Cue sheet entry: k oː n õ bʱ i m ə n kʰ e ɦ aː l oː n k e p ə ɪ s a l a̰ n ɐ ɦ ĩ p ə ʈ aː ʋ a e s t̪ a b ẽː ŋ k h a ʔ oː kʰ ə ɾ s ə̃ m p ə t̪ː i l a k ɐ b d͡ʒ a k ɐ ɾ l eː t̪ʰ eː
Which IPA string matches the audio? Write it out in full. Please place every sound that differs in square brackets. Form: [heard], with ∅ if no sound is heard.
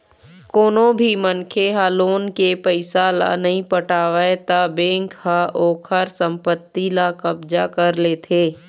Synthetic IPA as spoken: k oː n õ bʱ i m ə n kʰ e ɦ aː l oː n k e p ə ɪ s a l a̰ n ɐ ɦ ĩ p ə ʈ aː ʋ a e [∅] t̪ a b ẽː ŋ k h a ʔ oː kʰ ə ɾ s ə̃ m p ə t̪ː i l a k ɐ b d͡ʒ a k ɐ ɾ l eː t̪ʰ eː